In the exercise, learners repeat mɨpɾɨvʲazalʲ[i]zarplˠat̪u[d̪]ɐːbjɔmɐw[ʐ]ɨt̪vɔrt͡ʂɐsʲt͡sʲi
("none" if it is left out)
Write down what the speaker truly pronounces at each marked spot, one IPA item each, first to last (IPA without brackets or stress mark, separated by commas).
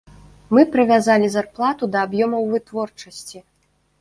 i, d̪, v